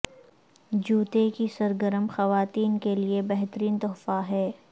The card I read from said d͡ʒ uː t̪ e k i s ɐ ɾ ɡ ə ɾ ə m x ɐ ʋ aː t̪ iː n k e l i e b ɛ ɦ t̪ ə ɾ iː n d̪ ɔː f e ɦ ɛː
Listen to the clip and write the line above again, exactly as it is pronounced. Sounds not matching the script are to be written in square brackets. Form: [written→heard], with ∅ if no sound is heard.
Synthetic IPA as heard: d͡ʒ uː t̪ e k i s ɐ ɾ ɡ ə ɾ ə m x ɐ ʋ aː t̪ iː n k e l i e b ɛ ɦ t̪ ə ɾ iː n [d̪→t̪] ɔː f [e→a] ɦ ɛː